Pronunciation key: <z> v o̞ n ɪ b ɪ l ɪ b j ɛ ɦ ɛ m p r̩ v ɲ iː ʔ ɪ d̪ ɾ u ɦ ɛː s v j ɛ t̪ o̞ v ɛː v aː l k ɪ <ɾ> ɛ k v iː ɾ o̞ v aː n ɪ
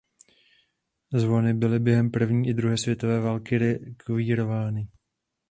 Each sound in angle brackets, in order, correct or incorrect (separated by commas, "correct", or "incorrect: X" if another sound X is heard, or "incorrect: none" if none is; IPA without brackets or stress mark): correct, correct